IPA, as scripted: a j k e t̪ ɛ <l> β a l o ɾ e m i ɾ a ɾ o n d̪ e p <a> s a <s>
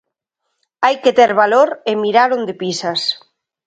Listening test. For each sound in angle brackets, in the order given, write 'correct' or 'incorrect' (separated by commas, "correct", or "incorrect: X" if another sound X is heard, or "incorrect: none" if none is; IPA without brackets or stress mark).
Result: incorrect: ɾ, incorrect: i, correct